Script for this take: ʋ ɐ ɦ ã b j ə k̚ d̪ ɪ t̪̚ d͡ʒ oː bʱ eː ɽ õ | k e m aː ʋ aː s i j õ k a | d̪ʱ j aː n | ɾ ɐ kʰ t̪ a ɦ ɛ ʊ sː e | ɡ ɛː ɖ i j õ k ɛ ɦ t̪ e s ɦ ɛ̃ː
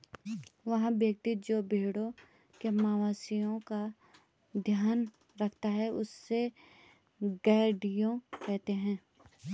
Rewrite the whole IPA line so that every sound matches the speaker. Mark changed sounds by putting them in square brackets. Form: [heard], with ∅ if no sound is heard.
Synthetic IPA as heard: ʋ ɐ ɦ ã b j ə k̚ [t̪] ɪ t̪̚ d͡ʒ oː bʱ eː ɽ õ | k e m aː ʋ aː s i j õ k a | d̪ʱ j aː n | ɾ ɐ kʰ t̪ a ɦ ɛ ʊ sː e | ɡ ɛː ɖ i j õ k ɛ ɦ t̪ e [∅] ɦ ɛ̃ː